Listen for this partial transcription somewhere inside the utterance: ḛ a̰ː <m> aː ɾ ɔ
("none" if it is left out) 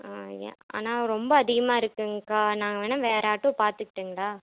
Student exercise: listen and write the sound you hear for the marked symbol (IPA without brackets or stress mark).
n